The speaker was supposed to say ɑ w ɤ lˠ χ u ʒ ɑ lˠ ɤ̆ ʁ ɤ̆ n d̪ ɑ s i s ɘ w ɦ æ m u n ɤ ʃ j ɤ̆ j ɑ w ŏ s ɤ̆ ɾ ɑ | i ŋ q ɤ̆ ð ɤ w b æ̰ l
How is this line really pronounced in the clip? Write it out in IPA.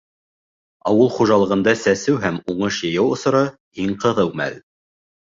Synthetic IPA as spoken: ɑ w ɤ lˠ χ u ʒ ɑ lˠ ɤ̆ ʁ ɤ̆ n d̪ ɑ s æ s ɘ w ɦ æ m u ɴ ɤ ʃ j ɤ̆ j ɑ w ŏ s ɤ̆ ɾ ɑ | i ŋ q ɤ̆ ð ɤ w m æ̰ l